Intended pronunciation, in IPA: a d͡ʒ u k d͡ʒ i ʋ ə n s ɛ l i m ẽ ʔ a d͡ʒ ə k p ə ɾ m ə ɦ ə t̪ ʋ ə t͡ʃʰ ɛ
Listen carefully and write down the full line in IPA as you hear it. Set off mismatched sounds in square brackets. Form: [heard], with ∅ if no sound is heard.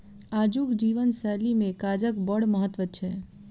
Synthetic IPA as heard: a d͡ʒ u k d͡ʒ i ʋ ə n s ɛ l i m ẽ [k] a d͡ʒ ə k [b] ə [ɽ] m ə ɦ ə t̪ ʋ ə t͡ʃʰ ɛ